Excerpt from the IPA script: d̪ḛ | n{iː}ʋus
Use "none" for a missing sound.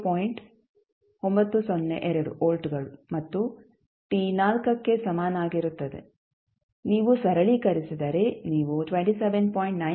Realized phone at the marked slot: iː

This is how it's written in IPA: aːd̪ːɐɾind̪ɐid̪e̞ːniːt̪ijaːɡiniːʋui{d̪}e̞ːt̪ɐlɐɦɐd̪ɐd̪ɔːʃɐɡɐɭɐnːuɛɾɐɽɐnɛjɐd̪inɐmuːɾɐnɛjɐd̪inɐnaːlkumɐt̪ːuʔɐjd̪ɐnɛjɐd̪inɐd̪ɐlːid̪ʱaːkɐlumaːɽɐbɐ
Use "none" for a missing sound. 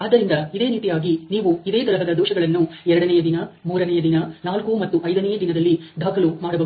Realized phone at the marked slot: d̪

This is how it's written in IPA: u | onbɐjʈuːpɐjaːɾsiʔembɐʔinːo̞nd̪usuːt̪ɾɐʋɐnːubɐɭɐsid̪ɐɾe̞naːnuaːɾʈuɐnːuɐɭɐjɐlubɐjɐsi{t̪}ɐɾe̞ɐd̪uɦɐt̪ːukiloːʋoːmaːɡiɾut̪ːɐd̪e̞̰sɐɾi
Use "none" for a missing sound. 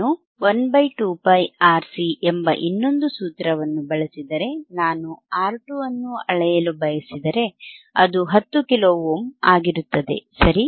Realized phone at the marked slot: d̪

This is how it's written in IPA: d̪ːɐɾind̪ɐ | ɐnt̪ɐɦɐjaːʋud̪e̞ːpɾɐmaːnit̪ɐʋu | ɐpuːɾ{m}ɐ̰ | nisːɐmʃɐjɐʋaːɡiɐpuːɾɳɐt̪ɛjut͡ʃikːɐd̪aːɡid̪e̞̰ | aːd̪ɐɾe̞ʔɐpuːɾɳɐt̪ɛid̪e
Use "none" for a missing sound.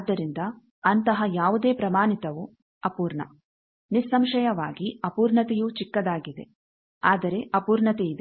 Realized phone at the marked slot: ɳ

